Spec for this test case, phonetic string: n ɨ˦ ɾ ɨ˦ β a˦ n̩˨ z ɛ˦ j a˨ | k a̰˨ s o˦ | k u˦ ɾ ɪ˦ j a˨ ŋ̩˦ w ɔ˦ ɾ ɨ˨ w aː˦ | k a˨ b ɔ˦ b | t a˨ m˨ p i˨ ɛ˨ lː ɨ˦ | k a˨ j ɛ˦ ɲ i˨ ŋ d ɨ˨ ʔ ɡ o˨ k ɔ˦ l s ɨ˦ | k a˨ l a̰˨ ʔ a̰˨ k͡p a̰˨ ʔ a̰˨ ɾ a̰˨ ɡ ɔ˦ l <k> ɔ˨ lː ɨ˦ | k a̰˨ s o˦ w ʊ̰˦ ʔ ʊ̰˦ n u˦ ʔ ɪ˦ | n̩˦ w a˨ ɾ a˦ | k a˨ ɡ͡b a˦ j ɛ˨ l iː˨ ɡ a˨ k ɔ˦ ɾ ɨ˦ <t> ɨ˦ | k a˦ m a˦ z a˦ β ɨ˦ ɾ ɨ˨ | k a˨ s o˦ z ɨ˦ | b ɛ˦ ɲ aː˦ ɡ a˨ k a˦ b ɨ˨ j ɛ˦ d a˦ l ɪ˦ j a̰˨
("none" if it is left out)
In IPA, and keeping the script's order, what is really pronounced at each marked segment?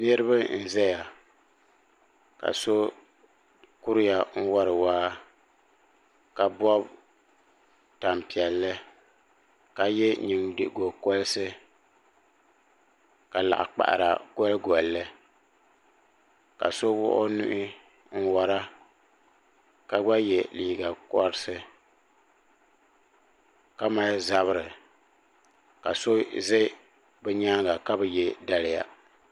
ɡ, s

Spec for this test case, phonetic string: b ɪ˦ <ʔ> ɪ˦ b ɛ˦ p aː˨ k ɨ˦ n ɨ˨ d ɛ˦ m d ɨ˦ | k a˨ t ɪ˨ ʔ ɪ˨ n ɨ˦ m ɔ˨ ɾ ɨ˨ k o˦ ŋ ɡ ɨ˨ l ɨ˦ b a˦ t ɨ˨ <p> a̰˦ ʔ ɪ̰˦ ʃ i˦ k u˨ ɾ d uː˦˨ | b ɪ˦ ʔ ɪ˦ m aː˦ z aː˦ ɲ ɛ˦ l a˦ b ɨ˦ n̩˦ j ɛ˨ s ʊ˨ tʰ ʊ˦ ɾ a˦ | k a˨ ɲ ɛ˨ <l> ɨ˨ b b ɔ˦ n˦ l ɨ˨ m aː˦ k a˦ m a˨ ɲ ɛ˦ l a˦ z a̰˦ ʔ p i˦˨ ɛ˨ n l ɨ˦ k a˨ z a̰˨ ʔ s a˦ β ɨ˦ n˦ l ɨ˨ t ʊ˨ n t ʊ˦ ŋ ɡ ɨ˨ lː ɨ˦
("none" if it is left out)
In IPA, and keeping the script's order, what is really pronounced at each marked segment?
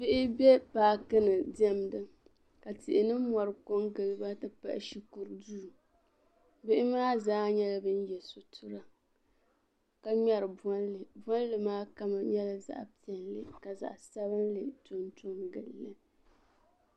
ʔ, p, ɾ

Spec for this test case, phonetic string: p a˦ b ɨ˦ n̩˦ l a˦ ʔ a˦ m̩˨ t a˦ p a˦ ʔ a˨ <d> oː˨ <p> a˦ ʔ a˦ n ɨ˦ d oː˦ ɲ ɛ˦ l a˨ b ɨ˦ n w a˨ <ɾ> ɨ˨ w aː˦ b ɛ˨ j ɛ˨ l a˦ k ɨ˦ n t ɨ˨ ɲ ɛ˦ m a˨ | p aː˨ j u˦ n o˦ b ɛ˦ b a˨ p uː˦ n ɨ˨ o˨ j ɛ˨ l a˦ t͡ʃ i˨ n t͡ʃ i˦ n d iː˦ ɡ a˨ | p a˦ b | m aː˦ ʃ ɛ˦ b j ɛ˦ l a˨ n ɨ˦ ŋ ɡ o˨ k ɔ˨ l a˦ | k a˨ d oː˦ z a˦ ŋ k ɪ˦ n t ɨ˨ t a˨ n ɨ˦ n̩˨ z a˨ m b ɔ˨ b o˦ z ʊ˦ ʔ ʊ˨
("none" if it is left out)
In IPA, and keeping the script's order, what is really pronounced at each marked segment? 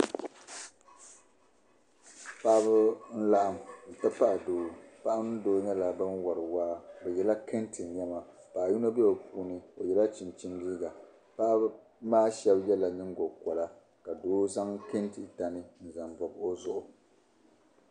d, p, ɾ

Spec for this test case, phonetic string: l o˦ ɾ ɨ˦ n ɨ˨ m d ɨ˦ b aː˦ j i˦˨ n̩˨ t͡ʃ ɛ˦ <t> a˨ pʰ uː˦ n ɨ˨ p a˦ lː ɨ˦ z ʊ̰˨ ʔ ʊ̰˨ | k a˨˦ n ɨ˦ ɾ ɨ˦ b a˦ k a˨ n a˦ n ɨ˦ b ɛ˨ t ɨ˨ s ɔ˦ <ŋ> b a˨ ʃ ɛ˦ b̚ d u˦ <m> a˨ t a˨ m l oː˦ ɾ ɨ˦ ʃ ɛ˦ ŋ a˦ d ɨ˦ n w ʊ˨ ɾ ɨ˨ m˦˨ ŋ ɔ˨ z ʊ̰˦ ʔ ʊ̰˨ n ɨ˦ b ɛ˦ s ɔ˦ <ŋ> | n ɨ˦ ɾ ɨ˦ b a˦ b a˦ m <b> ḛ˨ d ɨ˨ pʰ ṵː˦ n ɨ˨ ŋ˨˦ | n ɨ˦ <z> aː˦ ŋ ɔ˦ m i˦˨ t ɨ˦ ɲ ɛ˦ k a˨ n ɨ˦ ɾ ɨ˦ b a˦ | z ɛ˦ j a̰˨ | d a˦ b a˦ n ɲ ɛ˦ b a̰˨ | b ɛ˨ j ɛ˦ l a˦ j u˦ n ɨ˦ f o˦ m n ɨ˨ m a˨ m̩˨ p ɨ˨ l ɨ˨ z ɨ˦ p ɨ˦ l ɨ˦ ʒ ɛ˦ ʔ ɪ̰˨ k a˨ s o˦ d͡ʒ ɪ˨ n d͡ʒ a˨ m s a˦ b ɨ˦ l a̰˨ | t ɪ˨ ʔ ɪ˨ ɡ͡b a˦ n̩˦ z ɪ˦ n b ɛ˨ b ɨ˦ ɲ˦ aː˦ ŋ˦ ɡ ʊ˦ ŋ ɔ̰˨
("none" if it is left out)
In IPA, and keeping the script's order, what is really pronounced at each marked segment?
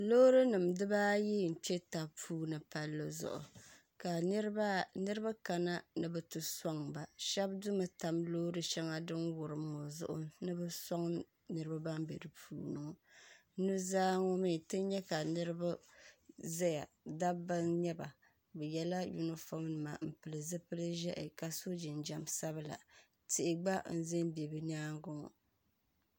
t, ŋ, m, ŋ, b, z

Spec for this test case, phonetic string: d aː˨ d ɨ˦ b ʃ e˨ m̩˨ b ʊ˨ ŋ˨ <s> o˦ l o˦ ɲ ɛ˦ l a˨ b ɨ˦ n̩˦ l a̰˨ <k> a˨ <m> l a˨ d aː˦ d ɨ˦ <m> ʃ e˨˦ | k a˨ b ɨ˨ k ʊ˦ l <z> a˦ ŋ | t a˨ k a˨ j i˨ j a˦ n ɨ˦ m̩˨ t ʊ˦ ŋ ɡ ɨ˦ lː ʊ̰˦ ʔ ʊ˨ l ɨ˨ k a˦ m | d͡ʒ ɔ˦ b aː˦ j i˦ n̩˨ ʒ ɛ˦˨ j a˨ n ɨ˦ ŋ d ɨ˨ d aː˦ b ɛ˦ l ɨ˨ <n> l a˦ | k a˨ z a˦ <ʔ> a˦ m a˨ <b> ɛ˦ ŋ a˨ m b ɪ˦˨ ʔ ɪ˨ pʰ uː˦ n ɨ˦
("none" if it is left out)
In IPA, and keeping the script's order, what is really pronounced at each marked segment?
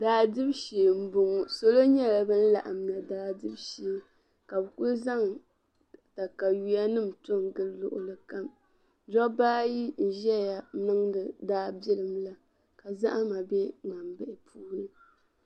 s, ʔ, m, b, z, m, ʔ, b

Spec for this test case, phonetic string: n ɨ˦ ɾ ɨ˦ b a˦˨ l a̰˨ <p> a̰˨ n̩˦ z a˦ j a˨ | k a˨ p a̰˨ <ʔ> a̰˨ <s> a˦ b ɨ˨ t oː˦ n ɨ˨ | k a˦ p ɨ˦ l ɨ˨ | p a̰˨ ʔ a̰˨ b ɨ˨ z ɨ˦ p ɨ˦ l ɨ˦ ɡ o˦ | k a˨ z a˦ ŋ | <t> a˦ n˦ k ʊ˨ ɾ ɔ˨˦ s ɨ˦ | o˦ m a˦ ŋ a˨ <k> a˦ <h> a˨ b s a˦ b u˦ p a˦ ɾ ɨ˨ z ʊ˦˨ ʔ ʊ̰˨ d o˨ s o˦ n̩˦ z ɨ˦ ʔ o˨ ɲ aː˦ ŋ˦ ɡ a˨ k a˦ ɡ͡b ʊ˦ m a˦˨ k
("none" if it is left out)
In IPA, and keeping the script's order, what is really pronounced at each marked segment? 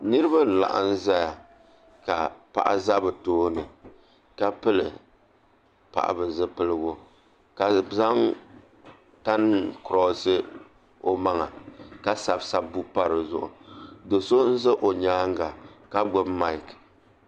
ʔ, ʔ, z, t, k, s

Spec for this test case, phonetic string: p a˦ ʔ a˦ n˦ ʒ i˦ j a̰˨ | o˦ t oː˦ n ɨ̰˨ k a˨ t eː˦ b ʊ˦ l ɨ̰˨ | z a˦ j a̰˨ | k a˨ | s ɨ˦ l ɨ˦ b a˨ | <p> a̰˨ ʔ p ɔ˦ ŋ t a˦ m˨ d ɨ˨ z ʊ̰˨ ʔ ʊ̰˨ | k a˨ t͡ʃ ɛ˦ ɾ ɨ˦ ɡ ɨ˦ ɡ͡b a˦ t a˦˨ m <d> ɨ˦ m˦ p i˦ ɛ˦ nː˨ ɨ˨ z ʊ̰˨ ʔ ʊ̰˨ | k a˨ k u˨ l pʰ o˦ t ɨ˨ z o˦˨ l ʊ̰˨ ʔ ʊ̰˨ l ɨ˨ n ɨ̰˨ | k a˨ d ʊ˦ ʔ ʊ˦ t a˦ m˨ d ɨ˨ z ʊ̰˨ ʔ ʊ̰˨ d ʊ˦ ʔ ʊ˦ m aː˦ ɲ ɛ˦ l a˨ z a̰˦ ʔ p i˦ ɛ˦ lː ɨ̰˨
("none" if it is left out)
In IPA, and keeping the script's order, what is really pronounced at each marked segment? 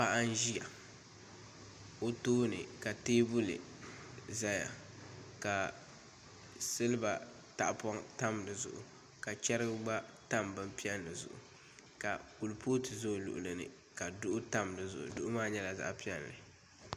t, b

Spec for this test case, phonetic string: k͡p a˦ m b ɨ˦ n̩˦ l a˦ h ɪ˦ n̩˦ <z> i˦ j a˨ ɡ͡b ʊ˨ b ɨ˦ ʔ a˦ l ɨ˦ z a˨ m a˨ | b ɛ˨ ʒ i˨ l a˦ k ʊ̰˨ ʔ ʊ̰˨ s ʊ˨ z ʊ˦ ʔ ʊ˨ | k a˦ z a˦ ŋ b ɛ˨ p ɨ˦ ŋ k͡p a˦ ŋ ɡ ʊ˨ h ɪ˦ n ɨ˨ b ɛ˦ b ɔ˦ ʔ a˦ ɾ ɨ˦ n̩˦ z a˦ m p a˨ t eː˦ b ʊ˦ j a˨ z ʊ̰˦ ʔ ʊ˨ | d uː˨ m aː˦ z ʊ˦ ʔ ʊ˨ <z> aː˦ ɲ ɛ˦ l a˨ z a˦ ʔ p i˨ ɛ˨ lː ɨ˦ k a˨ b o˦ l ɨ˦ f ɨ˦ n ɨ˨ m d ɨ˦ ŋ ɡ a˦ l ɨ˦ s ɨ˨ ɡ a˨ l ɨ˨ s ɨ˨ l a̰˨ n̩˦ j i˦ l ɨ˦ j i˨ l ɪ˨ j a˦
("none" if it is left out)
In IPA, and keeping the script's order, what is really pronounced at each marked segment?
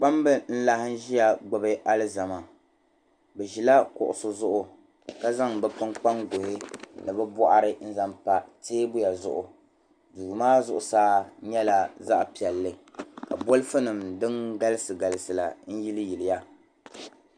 ʒ, s

